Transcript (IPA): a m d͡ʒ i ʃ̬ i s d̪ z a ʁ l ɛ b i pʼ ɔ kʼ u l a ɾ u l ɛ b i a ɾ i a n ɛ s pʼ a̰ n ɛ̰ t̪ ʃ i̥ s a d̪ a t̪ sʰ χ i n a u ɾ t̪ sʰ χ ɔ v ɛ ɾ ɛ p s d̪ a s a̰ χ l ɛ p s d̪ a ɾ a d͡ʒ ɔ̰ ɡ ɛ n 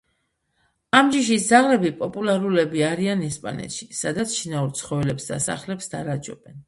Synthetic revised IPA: a m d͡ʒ i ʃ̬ i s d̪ z a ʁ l ɛ b i pʼ ɔ pʼ u l a ɾ u l ɛ b i a ɾ i a n ɛ s pʼ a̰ n ɛ̰ t̪ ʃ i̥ s a d̪ a t̪ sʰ ʃ i n a u ɾ t̪ sʰ χ ɔ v ɛ l ɛ p s d̪ a s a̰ χ l ɛ p s d̪ a ɾ a d͡ʒ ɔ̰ b ɛ n